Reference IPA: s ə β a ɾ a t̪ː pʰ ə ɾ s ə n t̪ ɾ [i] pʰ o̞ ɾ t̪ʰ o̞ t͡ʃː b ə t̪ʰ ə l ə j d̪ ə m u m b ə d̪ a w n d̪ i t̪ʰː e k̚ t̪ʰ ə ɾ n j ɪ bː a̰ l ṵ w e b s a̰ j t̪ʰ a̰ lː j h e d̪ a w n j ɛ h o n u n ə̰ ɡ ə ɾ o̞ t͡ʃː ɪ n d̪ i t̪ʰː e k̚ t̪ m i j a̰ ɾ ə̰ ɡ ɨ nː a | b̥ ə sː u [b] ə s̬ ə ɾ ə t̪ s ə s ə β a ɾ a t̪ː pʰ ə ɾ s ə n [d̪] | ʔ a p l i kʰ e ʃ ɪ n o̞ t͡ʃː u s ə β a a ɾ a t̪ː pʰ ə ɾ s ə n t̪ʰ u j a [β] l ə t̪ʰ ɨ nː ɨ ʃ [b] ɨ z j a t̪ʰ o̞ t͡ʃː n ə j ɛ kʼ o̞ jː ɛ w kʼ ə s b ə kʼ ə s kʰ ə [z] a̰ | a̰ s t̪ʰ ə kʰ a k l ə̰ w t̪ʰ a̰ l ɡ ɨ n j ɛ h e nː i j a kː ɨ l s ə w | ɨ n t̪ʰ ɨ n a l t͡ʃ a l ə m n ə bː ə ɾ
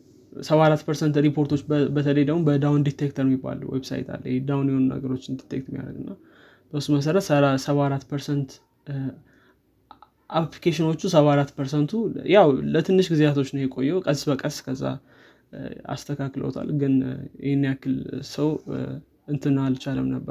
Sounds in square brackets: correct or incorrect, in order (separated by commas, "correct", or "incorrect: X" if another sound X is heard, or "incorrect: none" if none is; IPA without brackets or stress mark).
correct, incorrect: m, incorrect: t̪, incorrect: w, incorrect: ɡ, incorrect: zː